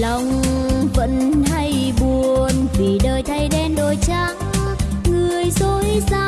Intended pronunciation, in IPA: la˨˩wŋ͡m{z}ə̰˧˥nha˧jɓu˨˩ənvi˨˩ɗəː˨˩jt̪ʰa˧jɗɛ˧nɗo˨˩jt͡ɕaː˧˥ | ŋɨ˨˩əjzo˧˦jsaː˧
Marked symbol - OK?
no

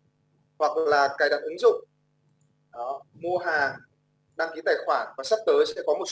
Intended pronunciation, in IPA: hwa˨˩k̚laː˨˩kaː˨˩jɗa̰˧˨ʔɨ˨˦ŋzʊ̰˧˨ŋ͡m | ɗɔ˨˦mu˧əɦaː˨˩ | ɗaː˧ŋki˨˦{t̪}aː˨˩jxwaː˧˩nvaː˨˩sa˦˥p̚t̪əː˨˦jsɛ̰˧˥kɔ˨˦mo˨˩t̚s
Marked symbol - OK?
yes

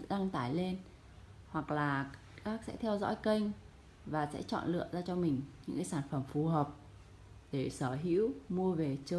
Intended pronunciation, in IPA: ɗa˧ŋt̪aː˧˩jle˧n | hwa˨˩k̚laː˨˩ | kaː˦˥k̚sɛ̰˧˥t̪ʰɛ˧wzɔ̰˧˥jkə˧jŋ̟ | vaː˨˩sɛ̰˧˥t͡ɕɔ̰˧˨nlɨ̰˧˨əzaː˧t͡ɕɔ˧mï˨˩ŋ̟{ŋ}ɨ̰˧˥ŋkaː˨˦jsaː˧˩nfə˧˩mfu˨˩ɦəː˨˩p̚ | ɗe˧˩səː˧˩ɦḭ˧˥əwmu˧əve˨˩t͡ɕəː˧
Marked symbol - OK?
no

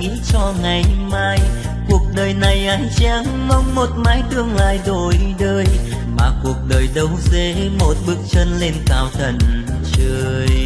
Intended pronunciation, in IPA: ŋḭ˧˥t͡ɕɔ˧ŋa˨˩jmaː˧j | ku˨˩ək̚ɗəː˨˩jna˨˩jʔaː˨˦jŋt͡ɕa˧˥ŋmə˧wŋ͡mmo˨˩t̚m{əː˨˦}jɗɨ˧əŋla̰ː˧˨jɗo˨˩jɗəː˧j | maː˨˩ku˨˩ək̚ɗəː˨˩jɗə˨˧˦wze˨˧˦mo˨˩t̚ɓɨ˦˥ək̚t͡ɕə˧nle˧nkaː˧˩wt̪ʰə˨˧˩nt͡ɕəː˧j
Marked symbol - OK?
no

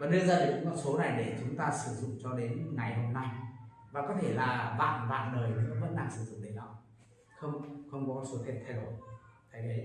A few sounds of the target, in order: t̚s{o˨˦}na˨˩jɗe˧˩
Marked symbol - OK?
yes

